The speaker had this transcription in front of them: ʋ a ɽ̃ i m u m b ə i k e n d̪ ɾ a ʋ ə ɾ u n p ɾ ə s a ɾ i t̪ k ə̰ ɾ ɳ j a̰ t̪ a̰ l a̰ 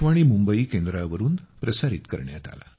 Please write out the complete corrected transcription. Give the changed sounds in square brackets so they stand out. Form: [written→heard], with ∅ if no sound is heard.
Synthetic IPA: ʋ a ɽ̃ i m u m b ə i k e n d̪ ɾ a ʋ ə ɾ [u→uː] n p ɾ ə s a ɾ i t̪ k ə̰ ɾ ɳ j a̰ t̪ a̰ l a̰